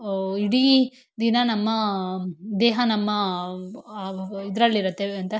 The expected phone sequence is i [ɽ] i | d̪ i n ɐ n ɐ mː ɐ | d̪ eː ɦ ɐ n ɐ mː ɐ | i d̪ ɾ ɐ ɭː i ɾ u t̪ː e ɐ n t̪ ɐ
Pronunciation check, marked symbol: correct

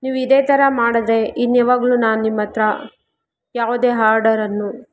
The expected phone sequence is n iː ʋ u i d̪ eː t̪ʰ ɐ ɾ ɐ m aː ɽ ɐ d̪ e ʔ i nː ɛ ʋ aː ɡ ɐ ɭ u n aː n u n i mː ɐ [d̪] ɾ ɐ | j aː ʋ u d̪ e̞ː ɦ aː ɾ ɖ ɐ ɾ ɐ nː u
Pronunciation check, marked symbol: incorrect: t̪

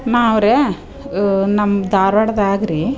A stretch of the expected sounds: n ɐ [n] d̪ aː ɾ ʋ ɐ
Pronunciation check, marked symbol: incorrect: m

